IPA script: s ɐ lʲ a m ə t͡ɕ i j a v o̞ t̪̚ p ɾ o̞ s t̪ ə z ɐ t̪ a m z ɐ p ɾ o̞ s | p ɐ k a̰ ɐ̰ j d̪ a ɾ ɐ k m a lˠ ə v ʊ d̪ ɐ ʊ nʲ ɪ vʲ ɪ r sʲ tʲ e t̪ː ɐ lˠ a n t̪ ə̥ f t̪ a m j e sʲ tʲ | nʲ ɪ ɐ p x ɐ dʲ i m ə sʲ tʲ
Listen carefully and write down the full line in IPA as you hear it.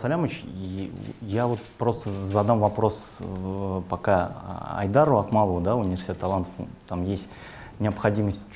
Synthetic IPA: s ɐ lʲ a m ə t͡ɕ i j a v o̞ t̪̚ p ɾ o̞ s t̪ ə z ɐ d̪ a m v ɐ p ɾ o̞ s | p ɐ k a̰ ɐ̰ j d̪ a ɾ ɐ k m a lˠ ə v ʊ d̪ a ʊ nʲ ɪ vʲ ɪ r sʲ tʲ e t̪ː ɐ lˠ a n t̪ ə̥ f t̪ a m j e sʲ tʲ | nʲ ɪ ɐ p x ɐ dʲ i m ə sʲ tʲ